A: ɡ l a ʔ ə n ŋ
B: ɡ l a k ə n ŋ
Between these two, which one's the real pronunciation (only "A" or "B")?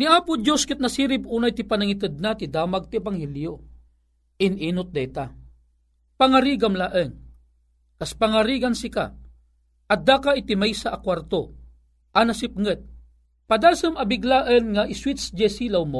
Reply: A